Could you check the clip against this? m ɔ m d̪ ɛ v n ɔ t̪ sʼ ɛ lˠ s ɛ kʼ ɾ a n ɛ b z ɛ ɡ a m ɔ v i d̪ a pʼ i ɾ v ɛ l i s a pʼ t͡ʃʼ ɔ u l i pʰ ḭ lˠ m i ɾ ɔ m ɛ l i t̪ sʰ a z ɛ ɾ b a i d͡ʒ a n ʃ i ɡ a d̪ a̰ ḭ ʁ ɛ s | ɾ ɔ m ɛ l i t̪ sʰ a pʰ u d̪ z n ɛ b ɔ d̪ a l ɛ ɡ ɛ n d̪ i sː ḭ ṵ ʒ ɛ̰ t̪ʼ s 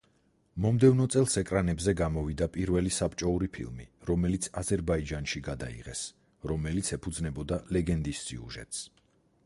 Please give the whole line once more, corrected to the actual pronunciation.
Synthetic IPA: m ɔ m d̪ ɛ v n ɔ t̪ sʼ ɛ lˠ s ɛ kʼ ɾ a n ɛ b z ɛ ɡ a m ɔ v i d̪ a pʼ i ɾ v ɛ l i s a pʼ t͡ʃʼ ɔ u ɾ i pʰ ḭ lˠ m i ɾ ɔ m ɛ l i t̪ sʰ a z ɛ ɾ b a i d͡ʒ a n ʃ i ɡ a d̪ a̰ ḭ ʁ ɛ s | ɾ ɔ m ɛ l i t̪ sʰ ɛ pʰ u d̪ z n ɛ b ɔ d̪ a l ɛ ɡ ɛ n d̪ i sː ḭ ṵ ʒ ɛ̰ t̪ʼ s